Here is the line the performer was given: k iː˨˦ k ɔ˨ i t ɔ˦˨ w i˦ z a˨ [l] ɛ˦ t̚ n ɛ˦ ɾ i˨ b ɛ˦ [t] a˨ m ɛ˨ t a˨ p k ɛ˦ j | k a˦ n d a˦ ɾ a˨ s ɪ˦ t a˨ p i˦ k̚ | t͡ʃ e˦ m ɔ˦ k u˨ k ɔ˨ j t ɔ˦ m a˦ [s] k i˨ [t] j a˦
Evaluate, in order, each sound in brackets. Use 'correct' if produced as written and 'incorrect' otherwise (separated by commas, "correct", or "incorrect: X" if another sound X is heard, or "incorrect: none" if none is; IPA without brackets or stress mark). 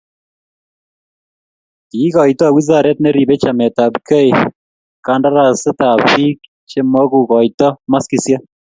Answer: incorrect: ɾ, incorrect: t͡ʃ, correct, incorrect: s